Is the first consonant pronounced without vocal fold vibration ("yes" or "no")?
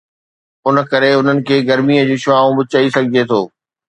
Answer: no